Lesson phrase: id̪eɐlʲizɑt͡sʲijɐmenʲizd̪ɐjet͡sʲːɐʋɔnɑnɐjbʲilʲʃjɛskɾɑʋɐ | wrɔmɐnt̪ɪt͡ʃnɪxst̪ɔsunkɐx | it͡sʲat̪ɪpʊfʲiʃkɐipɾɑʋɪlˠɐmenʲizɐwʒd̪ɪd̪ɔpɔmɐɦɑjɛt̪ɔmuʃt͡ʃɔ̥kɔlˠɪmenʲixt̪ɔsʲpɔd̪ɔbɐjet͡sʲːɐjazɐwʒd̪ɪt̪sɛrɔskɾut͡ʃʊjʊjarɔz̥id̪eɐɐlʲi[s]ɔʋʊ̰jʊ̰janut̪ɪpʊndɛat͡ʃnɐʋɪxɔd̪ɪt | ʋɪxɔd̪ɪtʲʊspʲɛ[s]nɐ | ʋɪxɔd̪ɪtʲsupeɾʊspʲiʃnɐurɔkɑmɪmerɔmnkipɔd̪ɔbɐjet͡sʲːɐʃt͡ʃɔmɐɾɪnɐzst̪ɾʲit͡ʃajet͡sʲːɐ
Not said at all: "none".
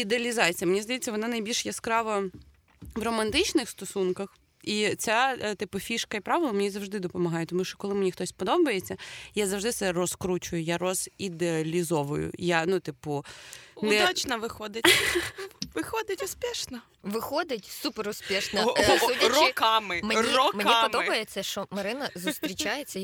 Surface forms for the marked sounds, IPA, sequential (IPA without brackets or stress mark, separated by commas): z, ʃ